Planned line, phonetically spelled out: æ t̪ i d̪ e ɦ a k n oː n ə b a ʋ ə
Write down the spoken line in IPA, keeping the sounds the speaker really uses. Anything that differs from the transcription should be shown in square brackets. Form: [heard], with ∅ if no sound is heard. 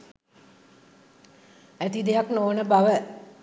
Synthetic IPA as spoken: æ t̪ i d̪ e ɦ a k n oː n ə b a ʋ ə